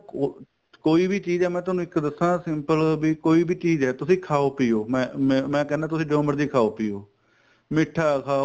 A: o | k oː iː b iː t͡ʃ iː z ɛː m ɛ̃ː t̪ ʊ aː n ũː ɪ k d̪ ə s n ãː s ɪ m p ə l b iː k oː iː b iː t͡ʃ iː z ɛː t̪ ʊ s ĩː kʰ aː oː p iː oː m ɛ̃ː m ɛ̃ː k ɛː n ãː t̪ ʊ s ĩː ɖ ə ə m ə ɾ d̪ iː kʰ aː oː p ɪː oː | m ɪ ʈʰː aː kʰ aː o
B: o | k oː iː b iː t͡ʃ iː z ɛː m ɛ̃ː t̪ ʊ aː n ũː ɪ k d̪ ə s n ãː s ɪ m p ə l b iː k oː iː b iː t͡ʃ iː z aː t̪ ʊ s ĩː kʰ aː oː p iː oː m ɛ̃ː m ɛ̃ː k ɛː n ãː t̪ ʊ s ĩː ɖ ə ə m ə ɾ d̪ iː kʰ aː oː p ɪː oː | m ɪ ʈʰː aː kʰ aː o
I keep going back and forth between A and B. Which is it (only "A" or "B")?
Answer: A